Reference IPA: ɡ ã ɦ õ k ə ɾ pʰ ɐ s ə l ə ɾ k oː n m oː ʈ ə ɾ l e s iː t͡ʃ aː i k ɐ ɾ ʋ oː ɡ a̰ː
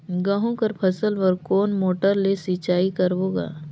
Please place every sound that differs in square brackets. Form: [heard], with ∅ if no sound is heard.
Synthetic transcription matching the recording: ɡ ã ɦ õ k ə ɾ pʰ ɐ s ə l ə ɾ k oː n m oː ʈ ə ɾ l e s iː t͡ʃ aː i k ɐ ɾ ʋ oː ɡ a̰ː